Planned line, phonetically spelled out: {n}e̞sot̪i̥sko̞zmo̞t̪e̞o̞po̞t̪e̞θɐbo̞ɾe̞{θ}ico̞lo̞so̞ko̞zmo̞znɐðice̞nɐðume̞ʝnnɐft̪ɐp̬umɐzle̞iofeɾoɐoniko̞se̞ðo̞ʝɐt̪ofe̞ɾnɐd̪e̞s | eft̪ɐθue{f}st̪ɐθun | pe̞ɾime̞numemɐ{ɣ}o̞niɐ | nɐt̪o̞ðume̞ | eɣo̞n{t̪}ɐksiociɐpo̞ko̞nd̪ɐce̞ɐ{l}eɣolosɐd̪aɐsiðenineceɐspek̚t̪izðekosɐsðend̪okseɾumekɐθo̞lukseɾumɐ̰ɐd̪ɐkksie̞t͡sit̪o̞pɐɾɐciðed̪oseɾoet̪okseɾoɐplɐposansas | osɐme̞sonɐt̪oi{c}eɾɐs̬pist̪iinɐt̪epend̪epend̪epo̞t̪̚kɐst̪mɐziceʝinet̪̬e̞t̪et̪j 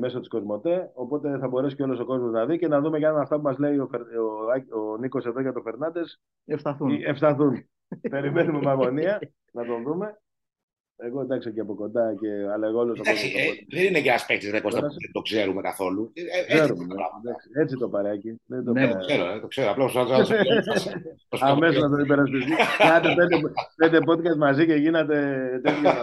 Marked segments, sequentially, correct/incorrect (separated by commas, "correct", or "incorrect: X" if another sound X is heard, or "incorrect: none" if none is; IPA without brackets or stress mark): incorrect: m, incorrect: s, correct, correct, incorrect: d̪, correct, incorrect: p